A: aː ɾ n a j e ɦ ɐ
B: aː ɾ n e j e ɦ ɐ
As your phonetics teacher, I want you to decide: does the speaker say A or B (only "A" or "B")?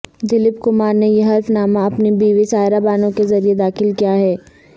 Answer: B